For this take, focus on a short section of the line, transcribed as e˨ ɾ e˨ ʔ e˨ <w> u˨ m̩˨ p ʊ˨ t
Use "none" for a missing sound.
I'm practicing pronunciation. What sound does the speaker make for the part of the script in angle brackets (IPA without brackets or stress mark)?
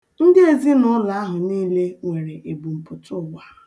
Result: b